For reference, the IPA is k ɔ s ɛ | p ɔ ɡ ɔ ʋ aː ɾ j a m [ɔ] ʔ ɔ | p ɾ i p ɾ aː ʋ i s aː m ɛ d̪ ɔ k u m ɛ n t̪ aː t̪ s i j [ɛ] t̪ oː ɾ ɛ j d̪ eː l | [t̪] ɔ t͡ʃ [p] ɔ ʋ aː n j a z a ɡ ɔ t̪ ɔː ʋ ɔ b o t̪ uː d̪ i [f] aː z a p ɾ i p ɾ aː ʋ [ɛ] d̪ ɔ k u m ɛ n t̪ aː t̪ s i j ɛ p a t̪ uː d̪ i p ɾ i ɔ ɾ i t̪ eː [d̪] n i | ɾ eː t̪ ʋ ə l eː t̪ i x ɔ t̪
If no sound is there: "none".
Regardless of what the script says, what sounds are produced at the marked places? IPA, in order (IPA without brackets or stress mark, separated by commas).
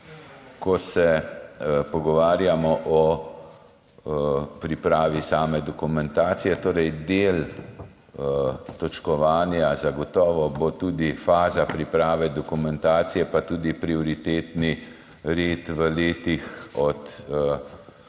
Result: ɔ, ɛ, t̪, k, f, ɛ, t̪